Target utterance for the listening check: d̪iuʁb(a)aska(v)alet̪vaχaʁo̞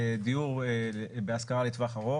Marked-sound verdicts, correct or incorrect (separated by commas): incorrect, incorrect